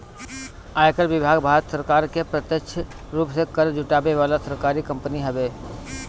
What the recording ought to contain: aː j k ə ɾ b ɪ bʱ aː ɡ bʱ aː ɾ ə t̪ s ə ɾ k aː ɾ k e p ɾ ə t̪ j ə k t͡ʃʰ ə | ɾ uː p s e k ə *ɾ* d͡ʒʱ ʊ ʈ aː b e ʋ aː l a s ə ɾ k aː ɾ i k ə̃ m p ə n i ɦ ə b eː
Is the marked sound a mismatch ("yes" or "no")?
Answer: no